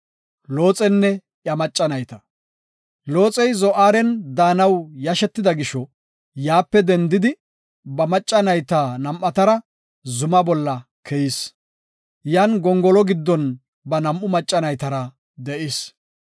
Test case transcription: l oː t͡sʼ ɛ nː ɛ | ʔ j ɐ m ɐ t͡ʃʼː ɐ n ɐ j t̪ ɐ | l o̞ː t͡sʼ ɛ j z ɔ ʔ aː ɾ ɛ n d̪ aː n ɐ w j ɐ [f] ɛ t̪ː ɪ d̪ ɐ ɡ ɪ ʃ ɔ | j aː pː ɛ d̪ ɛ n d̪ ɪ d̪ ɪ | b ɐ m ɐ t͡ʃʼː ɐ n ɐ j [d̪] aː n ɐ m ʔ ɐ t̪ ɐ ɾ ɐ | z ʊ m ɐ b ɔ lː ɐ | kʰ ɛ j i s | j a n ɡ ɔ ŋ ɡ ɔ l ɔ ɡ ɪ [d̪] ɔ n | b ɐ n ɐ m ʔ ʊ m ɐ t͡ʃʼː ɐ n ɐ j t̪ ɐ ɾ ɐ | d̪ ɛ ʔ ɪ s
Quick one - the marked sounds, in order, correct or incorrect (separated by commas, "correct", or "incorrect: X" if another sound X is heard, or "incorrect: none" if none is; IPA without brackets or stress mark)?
incorrect: ʃ, incorrect: t̪, incorrect: d̪ː